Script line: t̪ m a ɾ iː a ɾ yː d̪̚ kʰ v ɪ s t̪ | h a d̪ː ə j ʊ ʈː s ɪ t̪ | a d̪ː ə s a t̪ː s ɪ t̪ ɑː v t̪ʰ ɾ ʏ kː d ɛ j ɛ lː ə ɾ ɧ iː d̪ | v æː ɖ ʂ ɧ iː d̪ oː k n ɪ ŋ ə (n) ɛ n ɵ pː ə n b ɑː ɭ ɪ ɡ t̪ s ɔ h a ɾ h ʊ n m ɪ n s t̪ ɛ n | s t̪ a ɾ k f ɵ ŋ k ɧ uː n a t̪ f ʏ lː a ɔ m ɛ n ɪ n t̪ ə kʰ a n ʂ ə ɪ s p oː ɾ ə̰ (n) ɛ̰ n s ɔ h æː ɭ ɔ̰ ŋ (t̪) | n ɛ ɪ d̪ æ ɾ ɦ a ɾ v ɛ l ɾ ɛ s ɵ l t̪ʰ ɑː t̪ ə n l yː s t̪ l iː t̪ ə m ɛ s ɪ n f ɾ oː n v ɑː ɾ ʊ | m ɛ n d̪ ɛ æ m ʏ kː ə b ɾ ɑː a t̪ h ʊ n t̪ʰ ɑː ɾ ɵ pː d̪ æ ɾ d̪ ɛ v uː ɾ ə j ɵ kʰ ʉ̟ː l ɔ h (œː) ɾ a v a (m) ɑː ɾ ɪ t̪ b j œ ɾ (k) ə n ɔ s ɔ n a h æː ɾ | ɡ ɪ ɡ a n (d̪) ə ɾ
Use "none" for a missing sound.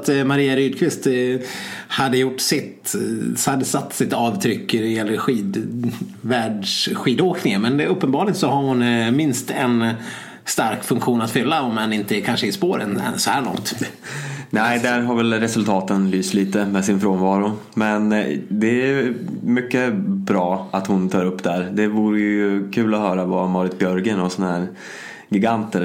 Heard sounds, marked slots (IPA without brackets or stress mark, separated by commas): m, n, t̪, œː, m, ɡ, t̪